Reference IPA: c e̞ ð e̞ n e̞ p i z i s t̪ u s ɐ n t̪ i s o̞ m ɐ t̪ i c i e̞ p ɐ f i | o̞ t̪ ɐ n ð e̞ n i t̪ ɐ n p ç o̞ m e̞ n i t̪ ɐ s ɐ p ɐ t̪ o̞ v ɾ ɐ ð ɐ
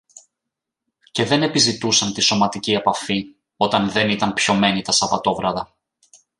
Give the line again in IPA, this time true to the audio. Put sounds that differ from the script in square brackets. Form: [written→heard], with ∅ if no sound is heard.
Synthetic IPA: c e̞ ð e̞ n e̞ p i z i [s→∅] t̪ u s ɐ n t̪ i s o̞ m ɐ t̪ i c i e̞ p ɐ f i | o̞ t̪ ɐ n ð e̞ n i t̪ ɐ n p ç o̞ m e̞ n i t̪ ɐ s ɐ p ɐ t̪ o̞ v ɾ ɐ ð ɐ